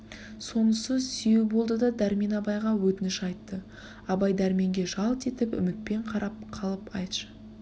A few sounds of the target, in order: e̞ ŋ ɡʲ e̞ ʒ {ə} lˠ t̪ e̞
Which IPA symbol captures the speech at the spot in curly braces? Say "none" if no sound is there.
ɑ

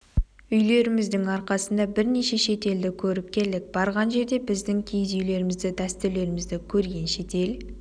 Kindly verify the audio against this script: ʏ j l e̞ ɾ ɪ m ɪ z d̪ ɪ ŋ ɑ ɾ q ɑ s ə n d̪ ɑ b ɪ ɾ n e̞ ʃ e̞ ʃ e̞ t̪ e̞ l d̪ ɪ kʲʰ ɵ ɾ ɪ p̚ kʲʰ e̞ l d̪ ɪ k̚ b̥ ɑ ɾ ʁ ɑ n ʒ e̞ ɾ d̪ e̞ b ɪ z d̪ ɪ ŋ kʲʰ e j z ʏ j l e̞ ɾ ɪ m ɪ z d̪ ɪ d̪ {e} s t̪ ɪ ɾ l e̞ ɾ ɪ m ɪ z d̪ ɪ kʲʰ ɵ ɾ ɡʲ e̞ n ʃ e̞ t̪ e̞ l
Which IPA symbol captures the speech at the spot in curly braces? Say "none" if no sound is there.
æ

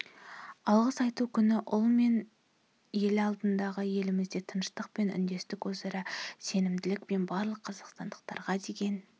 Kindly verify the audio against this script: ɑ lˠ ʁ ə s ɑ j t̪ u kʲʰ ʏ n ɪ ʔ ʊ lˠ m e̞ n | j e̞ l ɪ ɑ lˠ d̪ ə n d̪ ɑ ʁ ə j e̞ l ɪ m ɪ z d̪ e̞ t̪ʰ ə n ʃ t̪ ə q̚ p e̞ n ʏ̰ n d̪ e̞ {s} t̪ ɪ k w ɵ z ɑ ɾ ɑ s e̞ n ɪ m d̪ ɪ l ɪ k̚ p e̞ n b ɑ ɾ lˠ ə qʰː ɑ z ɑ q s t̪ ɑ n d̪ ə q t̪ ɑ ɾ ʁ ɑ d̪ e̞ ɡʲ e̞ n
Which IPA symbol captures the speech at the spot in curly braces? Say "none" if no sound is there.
s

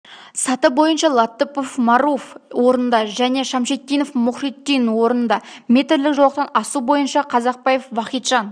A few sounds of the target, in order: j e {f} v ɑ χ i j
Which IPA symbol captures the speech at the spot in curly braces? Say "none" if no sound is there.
f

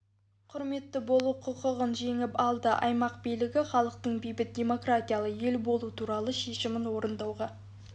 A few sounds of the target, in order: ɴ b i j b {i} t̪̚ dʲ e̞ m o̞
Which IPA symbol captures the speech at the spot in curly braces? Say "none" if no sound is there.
ɪ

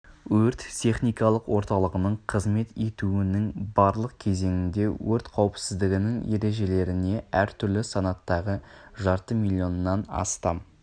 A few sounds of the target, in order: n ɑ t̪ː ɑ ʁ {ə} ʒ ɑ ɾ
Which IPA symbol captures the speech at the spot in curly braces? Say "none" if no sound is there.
ə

